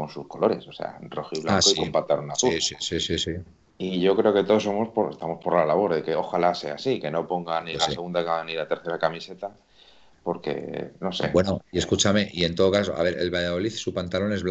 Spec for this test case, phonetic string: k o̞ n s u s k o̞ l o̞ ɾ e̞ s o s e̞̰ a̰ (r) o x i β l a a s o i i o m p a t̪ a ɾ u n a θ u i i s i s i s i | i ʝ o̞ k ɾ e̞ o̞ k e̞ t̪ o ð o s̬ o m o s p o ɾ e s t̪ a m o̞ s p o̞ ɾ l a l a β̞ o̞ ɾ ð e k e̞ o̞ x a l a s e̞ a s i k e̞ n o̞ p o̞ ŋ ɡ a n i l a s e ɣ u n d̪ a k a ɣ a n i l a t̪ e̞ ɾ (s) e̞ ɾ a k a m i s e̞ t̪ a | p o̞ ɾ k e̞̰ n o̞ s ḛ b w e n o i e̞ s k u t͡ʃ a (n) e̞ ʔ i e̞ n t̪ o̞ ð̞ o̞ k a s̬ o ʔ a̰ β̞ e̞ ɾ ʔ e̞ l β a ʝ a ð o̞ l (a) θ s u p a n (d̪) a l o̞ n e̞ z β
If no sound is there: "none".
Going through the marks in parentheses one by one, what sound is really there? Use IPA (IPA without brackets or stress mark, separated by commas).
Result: r, θ, m, i, t̪